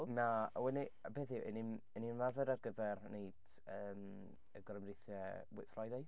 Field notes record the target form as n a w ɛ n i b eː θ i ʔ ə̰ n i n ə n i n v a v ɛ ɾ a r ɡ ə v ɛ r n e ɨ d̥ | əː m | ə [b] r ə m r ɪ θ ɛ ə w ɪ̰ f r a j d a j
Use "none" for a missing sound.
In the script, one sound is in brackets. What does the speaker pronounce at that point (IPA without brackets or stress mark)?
ɡ